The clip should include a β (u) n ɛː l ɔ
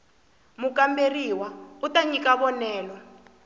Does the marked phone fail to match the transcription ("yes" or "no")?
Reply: yes